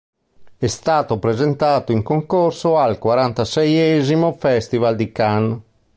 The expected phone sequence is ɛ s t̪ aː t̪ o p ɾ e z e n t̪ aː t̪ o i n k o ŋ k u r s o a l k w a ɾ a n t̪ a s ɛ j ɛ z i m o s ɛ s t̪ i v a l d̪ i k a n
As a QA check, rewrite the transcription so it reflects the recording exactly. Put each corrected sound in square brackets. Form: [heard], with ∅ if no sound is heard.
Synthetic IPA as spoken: ɛ s t̪ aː t̪ o p ɾ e z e n t̪ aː t̪ o i [ŋ] k o ŋ k [o] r s o a l k w a ɾ a n t̪ a s ɛ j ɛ z i m o [f] ɛ s t̪ i v a l d̪ i k a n